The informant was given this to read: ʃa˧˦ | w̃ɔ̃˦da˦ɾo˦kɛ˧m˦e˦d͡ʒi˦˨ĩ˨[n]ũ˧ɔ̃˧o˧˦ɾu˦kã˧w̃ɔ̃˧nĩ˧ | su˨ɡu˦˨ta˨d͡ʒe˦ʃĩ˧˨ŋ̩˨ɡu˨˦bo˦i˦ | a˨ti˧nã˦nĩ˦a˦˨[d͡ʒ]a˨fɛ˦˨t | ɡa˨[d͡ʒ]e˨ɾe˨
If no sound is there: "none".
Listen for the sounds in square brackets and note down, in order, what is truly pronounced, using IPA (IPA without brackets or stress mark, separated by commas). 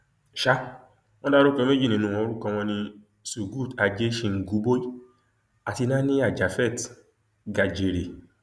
n, d͡ʒ, d͡ʒ